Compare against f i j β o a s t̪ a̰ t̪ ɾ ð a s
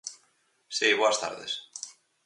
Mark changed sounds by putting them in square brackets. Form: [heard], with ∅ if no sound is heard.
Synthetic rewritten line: [s] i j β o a s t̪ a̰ [∅] ɾ ð [e] s